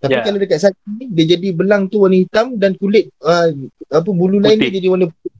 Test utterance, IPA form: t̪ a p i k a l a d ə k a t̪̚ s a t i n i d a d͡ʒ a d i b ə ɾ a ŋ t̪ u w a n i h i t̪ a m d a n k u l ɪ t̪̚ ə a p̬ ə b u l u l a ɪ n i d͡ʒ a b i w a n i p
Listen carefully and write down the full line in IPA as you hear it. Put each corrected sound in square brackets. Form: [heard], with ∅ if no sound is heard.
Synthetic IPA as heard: t̪ a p i k a l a d ə k a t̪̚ s a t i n i d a d͡ʒ a d i b ə [l] a ŋ t̪ u w a n i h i t̪ a m d a n k u l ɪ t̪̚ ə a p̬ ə b u l u l a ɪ n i d͡ʒ a [d] i w a n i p